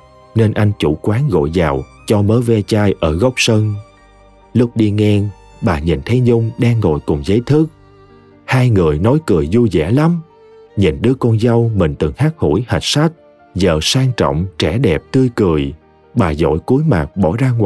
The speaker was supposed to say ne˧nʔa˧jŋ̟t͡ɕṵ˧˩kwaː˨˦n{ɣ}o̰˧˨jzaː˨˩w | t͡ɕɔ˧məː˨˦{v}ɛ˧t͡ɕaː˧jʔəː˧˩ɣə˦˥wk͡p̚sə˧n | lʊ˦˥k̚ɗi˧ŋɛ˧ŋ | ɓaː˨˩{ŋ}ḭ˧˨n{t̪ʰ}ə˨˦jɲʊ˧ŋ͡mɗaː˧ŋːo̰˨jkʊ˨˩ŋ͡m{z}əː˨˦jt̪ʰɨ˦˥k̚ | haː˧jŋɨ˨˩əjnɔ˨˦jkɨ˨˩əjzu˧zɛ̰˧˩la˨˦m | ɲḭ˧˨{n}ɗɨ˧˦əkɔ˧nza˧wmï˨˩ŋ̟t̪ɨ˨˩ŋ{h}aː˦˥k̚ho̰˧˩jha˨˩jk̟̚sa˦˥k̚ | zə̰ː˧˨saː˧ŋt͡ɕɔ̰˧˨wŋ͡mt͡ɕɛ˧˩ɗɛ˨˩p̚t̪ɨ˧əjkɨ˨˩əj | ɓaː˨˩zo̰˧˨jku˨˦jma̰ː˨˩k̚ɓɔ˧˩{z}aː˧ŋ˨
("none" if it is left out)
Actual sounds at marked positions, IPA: ɣ, v, ɲ, t̪ʰ, z, n, h, z

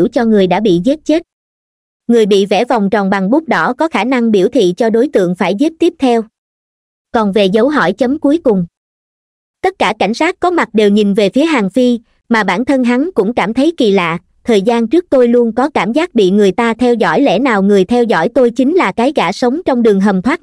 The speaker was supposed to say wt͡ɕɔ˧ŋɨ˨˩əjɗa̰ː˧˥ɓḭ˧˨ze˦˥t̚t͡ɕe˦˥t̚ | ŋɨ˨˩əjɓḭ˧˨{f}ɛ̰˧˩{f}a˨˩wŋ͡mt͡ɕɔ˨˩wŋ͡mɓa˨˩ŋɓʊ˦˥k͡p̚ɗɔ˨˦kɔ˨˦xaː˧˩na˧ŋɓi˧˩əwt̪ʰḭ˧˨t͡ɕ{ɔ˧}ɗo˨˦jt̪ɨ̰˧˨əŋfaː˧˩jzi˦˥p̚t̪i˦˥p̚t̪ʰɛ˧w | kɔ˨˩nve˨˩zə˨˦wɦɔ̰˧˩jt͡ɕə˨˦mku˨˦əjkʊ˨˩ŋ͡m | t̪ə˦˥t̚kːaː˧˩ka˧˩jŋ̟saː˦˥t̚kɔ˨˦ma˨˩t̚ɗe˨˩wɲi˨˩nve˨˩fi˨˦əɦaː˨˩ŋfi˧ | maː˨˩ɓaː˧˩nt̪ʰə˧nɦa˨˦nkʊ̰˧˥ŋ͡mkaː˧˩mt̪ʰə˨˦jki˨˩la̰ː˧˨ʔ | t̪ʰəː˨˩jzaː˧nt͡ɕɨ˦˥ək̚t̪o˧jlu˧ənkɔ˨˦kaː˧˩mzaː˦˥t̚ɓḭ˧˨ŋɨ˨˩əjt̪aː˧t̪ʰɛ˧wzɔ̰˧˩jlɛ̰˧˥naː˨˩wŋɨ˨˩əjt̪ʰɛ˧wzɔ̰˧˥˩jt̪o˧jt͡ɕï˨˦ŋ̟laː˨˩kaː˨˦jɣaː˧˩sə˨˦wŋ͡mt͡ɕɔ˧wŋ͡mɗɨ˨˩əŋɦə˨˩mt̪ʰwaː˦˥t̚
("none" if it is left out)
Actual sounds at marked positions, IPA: v, v, ɔ˧

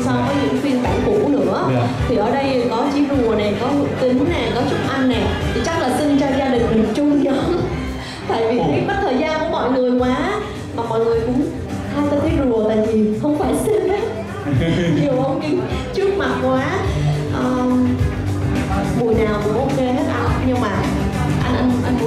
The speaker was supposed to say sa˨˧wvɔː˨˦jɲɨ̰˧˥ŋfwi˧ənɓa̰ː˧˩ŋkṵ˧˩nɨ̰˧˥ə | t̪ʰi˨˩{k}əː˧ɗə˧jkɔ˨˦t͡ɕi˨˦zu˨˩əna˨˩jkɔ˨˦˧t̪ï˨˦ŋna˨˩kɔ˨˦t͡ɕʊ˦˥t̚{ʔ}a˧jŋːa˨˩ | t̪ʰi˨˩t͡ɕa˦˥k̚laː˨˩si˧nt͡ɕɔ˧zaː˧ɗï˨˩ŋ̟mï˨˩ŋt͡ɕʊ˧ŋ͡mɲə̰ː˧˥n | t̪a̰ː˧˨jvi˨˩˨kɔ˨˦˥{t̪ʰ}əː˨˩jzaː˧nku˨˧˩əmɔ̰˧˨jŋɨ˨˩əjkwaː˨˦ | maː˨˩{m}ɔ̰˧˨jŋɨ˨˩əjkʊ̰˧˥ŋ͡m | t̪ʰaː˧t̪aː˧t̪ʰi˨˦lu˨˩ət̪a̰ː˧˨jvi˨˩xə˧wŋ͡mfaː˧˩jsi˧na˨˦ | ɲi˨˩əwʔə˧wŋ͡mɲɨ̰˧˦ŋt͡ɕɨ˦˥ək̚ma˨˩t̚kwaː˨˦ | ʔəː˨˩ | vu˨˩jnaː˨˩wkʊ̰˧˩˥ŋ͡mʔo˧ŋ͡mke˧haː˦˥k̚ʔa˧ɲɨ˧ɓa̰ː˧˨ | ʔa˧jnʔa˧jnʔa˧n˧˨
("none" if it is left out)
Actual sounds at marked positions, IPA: ʔ, ʔ, t̪ʰ, m

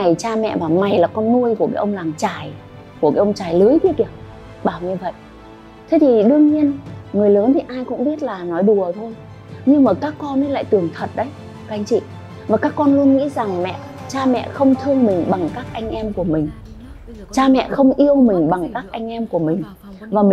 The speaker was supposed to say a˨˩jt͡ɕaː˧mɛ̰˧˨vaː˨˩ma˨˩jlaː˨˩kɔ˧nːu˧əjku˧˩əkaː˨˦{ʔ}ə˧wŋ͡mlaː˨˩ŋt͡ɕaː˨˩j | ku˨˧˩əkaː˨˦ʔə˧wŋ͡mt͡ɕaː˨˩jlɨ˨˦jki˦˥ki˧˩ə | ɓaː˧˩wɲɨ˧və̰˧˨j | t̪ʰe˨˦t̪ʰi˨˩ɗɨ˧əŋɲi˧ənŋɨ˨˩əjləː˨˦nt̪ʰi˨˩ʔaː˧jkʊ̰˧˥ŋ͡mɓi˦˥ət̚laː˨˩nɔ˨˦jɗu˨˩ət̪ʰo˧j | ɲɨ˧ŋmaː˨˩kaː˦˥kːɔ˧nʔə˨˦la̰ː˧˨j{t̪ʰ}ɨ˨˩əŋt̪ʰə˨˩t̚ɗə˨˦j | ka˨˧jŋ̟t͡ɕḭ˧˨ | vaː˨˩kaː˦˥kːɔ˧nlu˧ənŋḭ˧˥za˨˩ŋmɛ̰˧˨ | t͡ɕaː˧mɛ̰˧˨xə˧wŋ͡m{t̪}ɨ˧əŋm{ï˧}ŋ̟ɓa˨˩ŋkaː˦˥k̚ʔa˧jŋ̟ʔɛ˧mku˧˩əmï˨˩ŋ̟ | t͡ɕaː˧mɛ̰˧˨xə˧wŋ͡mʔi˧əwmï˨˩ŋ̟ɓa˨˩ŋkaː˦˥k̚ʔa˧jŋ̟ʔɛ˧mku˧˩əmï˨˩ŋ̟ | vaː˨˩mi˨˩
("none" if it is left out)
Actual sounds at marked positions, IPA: ʔ, t̪, t̪ʰ, ï˨˩

